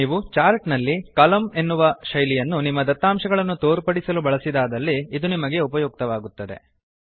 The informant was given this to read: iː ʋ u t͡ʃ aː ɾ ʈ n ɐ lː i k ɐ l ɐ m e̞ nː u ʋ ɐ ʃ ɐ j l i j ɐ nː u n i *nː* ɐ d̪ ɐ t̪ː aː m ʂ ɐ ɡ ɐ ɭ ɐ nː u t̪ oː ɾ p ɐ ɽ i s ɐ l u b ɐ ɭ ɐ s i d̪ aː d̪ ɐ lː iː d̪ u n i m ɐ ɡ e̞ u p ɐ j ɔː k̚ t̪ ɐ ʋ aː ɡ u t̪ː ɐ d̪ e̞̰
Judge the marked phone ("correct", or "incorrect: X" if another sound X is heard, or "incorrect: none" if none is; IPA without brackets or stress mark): incorrect: mː